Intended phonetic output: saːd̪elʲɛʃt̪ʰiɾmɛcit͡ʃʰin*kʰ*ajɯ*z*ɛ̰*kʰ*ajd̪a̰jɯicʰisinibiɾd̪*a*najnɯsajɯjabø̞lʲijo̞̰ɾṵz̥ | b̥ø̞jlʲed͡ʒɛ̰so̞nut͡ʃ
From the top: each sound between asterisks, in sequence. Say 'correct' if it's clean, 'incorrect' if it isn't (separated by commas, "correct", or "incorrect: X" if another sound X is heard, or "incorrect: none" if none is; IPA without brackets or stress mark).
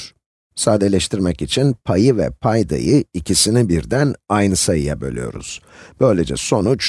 incorrect: pʰ, incorrect: v, incorrect: pʰ, incorrect: æ